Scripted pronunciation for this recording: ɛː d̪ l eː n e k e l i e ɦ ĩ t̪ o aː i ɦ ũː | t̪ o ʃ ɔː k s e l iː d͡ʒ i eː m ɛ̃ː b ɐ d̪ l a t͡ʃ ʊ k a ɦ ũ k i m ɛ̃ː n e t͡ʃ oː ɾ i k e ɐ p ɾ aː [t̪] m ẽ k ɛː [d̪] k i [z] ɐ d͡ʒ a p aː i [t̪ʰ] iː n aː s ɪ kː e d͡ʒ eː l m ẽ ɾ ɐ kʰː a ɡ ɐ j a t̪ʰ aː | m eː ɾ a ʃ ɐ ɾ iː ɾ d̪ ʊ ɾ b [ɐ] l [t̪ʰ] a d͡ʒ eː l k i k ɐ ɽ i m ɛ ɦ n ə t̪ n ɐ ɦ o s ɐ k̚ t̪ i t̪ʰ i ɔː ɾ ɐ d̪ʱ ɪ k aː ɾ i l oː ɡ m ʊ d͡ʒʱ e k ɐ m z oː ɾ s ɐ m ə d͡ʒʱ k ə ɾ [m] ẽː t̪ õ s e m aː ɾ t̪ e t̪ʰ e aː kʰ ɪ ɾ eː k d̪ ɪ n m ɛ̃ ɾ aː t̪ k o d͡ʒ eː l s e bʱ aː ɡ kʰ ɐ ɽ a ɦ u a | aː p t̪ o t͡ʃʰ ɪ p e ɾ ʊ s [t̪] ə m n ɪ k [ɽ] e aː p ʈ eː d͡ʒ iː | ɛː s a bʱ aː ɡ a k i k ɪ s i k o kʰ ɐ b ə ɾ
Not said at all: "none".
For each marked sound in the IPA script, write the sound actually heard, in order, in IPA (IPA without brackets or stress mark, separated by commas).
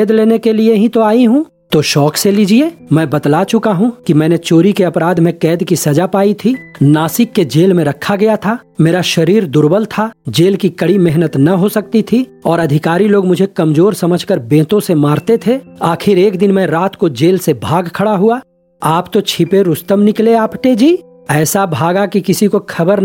d̪, d̪, s, t̪ʰ, ə, t̪ʰ, b, t̪, l